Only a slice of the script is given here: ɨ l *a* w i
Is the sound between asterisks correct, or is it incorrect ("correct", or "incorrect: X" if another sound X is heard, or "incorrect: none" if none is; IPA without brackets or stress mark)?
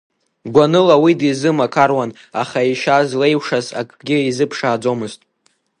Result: correct